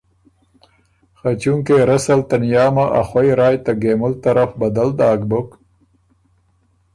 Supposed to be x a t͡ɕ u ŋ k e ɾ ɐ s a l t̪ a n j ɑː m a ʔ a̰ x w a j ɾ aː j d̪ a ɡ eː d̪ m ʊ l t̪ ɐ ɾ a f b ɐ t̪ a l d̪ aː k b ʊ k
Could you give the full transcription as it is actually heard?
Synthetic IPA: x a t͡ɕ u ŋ k e ɾ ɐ s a l t̪ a n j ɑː m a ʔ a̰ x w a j ɾ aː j t̪ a ɡ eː m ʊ l t̪ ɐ ɾ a f b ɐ d̪ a l d̪ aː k b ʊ k